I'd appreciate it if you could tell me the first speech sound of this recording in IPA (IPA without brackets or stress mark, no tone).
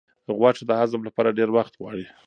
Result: ɣ